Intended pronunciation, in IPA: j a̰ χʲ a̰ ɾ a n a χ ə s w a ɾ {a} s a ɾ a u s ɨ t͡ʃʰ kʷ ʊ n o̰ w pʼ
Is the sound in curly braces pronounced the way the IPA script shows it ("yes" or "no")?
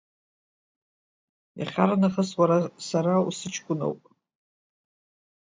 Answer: yes